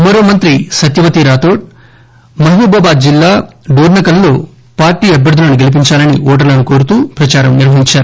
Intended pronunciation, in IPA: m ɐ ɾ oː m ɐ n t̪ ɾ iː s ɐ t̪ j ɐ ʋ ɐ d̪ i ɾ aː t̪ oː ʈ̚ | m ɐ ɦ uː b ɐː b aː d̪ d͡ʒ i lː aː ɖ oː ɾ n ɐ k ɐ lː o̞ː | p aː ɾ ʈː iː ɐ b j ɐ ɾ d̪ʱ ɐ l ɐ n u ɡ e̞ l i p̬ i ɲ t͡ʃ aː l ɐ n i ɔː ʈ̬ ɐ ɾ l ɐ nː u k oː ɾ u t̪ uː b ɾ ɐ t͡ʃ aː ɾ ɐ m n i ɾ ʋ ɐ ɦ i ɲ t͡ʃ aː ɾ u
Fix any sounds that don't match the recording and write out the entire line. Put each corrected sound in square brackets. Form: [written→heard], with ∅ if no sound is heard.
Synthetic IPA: m ɐ ɾ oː m ɐ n t̪ ɾ [iː→i] s ɐ t̪ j ɐ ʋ ɐ [d̪→t̪] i ɾ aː t̪ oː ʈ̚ | m ɐ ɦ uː b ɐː b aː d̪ d͡ʒ i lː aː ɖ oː ɾ n ɐ k ɐ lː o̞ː | p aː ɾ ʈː iː ɐ b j ɐ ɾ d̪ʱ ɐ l ɐ n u ɡ e̞ l i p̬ i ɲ t͡ʃ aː l ɐ n i ɔː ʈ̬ ɐ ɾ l ɐ [nː→n] u k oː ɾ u t̪ uː [b→p] ɾ ɐ t͡ʃ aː ɾ ɐ m n i ɾ ʋ ɐ ɦ i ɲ t͡ʃ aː ɾ u